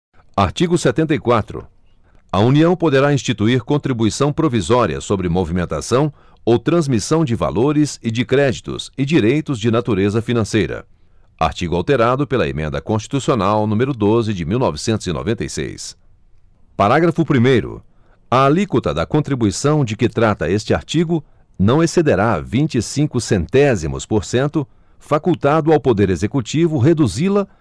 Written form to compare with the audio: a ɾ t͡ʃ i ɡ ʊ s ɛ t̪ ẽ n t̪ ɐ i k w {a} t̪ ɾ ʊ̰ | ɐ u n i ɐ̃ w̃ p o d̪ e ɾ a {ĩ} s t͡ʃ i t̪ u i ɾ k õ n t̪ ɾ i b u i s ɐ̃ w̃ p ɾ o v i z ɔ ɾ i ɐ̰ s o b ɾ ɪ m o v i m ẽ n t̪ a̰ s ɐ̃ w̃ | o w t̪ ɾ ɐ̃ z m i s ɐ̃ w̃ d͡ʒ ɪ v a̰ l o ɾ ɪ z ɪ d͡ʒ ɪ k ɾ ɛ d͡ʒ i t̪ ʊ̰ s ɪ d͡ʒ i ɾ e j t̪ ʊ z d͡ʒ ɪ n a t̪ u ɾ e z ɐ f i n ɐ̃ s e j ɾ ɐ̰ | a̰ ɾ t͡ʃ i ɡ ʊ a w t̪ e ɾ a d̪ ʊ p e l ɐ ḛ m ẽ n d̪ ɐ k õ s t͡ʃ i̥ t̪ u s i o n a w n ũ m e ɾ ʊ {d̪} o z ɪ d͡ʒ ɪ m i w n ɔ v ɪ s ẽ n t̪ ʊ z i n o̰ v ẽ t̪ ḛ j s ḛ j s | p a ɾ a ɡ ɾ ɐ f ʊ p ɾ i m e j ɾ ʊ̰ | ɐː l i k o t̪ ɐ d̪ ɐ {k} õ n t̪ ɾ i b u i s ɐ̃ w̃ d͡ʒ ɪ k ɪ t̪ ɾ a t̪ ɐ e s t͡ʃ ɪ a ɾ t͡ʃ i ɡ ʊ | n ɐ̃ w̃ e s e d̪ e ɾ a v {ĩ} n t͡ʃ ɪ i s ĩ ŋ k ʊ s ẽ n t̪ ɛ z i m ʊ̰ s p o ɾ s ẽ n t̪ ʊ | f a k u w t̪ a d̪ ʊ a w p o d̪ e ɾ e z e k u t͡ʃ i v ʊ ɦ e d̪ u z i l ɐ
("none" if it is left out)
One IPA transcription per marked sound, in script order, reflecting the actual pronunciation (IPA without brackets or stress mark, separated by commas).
a, ĩ, d̪, k, ĩ